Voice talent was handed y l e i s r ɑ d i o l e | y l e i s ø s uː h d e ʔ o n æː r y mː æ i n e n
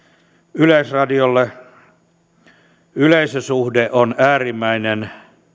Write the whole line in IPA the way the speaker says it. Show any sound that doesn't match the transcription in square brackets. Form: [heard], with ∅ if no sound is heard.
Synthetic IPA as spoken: y l e i s r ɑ d i o [lː] e | y l e i s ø s [u] h d e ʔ o n æː r [i] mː æ i n e n